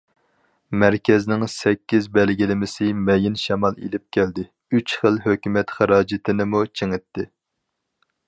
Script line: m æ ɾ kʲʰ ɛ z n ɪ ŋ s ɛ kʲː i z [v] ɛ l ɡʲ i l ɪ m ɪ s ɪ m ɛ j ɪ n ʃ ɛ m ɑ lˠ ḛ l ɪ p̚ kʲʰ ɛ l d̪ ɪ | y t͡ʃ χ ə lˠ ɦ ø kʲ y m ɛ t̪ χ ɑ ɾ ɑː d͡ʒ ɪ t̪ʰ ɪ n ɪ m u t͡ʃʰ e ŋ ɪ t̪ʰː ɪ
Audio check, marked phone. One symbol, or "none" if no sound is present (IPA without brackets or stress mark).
b